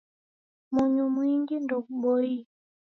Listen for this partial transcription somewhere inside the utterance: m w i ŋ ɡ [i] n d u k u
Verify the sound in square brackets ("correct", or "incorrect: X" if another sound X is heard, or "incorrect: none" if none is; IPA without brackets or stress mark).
correct